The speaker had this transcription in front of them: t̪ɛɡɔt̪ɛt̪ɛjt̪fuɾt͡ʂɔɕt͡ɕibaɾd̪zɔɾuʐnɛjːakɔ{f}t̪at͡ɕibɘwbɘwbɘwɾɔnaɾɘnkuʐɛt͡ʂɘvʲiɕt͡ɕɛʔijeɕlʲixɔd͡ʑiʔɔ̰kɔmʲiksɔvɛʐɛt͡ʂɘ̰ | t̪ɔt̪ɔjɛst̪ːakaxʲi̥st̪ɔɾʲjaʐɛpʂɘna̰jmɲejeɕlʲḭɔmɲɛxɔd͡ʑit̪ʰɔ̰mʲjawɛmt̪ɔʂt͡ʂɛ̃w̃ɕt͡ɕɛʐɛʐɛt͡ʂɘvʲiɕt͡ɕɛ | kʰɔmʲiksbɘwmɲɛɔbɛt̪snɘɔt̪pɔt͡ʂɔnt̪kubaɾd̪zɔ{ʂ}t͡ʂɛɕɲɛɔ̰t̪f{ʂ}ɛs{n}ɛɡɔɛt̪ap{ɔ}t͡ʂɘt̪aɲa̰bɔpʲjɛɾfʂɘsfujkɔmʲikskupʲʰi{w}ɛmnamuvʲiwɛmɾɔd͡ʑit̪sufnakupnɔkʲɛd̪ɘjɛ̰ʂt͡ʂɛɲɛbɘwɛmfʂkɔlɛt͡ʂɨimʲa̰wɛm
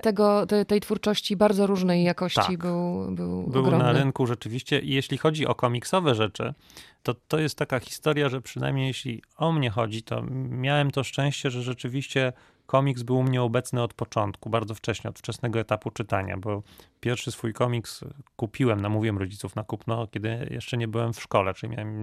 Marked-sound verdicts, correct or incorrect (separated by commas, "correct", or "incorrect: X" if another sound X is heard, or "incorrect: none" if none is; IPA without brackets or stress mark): incorrect: ɕ, incorrect: f, incorrect: t͡ʂ, correct, incorrect: u, correct